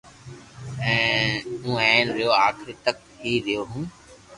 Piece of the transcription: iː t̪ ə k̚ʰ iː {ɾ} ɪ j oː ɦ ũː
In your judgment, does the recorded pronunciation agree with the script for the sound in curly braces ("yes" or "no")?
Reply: yes